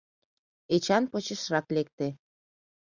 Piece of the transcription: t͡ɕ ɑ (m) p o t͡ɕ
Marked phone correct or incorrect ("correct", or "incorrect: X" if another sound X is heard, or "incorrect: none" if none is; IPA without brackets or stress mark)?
incorrect: n